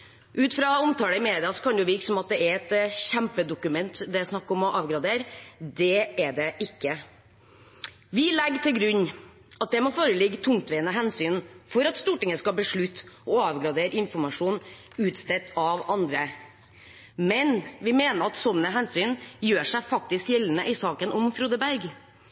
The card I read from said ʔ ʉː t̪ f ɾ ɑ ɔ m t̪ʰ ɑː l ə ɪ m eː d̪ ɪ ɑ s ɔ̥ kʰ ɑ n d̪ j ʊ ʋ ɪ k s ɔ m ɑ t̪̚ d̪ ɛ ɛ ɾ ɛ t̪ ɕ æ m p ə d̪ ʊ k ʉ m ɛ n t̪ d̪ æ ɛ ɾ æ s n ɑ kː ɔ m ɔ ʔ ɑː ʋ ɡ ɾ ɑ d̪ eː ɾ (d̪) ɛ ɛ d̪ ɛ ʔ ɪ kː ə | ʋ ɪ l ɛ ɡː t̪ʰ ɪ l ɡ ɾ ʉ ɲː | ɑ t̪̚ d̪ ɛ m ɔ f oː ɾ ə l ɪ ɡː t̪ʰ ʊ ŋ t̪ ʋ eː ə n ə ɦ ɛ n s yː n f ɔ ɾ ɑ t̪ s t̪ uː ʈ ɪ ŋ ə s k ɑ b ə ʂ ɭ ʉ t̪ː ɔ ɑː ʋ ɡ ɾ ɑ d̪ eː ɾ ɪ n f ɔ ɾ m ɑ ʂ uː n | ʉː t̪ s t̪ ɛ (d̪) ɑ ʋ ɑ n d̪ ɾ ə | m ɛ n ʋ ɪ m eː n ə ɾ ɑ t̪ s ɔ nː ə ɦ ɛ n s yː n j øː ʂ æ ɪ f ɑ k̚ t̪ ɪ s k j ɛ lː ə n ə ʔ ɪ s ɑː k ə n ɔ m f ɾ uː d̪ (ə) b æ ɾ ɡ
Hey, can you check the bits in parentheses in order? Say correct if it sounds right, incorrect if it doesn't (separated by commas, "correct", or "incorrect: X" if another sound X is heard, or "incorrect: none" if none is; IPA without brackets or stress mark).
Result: correct, incorrect: t̪, correct